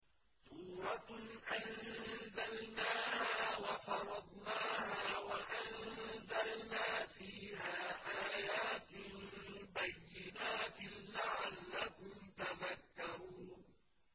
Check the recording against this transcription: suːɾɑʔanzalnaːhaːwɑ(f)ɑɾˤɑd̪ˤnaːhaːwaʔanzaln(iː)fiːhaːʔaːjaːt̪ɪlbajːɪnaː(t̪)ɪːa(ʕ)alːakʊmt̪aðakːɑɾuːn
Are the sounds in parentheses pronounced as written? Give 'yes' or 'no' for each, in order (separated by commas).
yes, no, yes, yes